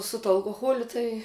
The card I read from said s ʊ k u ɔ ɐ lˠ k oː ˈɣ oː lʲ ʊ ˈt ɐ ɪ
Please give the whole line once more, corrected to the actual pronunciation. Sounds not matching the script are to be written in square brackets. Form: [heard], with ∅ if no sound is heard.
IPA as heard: s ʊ [t] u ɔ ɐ lˠ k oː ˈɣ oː lʲ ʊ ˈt ɐ ɪ

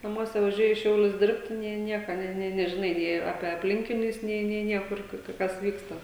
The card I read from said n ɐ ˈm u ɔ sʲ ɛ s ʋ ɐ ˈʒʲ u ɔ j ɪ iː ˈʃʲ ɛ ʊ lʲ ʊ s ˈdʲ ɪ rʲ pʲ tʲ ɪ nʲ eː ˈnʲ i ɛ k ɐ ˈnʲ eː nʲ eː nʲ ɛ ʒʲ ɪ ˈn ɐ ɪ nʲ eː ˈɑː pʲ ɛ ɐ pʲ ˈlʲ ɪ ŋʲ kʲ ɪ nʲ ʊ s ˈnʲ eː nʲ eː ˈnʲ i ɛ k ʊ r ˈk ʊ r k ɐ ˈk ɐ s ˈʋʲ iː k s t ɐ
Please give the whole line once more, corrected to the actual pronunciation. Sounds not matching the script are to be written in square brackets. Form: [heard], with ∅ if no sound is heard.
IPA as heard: n ɐ ˈm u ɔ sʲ ɛ [∅] ʋ ɐ ˈʒʲ u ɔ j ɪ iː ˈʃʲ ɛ ʊ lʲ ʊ s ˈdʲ ɪ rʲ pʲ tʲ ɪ nʲ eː ˈnʲ i ɛ k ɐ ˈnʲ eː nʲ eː nʲ ɛ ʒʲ ɪ ˈn ɐ ɪ nʲ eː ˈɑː pʲ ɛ ɐ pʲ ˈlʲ ɪ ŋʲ kʲ ɪ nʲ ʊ s ˈnʲ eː nʲ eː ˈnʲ i ɛ k ʊ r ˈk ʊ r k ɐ ˈk ɐ s ˈʋʲ iː k s t ɐ

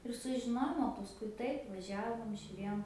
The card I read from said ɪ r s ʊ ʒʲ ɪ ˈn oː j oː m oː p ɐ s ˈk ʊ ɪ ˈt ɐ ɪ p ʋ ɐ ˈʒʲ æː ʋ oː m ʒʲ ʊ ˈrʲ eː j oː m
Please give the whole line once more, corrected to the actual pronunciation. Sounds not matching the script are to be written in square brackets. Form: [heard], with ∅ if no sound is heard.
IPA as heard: ɪ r s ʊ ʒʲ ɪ ˈn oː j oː m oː p ɐ s ˈk ʊ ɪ ˈt ɐ ɪ p ʋ ɐ ˈʒʲ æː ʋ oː m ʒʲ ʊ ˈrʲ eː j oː m

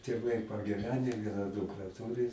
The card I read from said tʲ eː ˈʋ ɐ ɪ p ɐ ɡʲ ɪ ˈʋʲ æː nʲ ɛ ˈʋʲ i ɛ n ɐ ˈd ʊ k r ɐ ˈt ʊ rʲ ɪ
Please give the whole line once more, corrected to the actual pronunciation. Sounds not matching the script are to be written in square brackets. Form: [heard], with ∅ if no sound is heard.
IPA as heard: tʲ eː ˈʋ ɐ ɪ p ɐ ɡʲ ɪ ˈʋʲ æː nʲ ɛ ˈʋʲ i ɛ n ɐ ˈd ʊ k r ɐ ˈt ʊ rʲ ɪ

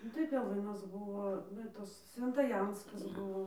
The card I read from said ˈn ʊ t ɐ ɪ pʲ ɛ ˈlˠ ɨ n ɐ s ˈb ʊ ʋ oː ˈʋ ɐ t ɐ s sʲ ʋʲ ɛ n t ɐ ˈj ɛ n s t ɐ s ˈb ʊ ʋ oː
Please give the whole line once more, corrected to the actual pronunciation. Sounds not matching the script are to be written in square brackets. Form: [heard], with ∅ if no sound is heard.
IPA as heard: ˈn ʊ t ɐ ɪ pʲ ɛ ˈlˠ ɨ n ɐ s ˈb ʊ ʋ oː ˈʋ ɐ t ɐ s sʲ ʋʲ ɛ n t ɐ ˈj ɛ n s [k] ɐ s ˈb ʊ ʋ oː

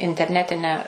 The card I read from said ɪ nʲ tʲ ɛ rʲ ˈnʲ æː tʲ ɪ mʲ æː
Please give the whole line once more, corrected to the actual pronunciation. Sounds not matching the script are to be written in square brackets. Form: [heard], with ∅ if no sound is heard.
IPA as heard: ɪ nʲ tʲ ɛ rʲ ˈnʲ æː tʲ ɪ [nʲ] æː

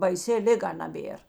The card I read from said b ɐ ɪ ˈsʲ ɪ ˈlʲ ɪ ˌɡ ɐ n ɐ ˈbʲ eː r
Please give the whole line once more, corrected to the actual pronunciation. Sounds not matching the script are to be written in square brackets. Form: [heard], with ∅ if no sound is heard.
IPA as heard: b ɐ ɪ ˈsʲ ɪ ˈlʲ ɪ ˌɡ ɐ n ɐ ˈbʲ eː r

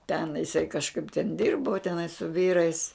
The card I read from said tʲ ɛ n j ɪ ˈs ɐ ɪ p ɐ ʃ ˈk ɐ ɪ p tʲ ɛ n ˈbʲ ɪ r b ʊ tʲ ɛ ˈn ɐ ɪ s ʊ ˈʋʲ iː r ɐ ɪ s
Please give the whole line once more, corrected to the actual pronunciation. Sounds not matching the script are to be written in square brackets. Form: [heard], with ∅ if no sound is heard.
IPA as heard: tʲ ɛ n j ɪ ˈs ɐ ɪ [k] ɐ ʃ ˈk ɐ ɪ p tʲ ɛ n [ˈdʲ] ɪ r b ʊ tʲ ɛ ˈn ɐ ɪ s ʊ ˈʋʲ iː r ɐ ɪ s

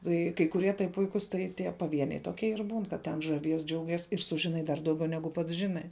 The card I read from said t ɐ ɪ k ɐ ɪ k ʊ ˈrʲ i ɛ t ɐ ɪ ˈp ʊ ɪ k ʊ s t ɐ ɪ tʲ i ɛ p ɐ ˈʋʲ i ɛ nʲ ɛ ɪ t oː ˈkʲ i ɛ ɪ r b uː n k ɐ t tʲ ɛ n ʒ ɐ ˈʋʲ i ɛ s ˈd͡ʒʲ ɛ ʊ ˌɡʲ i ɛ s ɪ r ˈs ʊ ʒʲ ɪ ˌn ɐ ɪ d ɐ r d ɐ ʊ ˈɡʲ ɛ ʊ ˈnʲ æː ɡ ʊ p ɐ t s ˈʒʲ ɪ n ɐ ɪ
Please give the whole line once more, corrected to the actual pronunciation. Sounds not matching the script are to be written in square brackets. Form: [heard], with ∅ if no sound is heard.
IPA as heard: t ɐ ɪ k ɐ ɪ k ʊ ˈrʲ i ɛ t ɐ ɪ ˈp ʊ ɪ k ʊ s t ɐ ɪ tʲ i ɛ p ɐ ˈʋʲ i ɛ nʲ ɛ ɪ t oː ˈkʲ i ɛ ɪ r b uː n k ɐ t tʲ ɛ n ʒ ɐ ˈʋʲ i ɛ s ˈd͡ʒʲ ɛ ʊ ˌɡʲ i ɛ s ɪ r ˈs ʊ ʒʲ ɪ ˌn ɐ ɪ d ɐ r d ɐ ʊ ˈɡʲ ɛ ʊ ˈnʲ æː ɡ ʊ p ɐ t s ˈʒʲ ɪ n ɐ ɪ

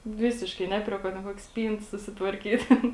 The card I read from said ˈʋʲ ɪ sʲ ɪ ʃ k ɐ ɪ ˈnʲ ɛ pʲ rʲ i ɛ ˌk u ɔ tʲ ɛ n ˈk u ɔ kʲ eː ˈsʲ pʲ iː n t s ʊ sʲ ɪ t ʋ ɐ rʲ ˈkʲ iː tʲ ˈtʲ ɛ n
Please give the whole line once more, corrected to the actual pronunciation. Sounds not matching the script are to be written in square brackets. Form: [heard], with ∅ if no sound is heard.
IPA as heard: ˈʋʲ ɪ sʲ ɪ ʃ k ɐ ɪ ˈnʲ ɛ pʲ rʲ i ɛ ˌk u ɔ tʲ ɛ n ˈk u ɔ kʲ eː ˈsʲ pʲ iː n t s ʊ sʲ ɪ t ʋ ɐ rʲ ˈkʲ iː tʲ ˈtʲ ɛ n

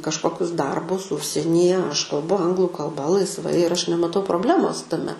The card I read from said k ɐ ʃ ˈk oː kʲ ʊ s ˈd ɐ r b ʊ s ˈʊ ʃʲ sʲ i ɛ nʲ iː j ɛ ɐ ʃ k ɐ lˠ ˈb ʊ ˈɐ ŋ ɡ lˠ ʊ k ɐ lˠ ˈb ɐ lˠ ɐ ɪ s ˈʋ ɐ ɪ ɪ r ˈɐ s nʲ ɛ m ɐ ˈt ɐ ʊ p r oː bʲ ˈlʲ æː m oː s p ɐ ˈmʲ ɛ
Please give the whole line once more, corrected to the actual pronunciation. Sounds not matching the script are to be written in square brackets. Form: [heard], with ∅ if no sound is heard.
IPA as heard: k ɐ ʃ ˈk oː kʲ ʊ s ˈd ɐ r b ʊ s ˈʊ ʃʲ sʲ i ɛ nʲ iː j ɛ ɐ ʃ k ɐ lˠ ˈb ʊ ˈɐ ŋ ɡ lˠ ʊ k ɐ lˠ ˈb ɐ lˠ ɐ ɪ s ˈʋ ɐ ɪ ɪ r ˈɐ [ʃ] nʲ ɛ m ɐ ˈt ɐ ʊ p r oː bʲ ˈlʲ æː m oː s [t] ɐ ˈmʲ ɛ

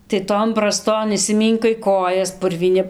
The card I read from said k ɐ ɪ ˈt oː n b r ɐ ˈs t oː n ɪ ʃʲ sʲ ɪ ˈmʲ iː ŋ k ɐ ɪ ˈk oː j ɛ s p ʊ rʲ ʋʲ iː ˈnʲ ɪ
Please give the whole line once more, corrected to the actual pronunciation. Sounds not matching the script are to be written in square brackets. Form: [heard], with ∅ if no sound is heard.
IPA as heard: [t] ɐ ɪ ˈt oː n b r ɐ ˈs t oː n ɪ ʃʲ sʲ ɪ ˈmʲ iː ŋ k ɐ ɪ ˈk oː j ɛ s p ʊ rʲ ʋʲ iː ˈnʲ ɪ

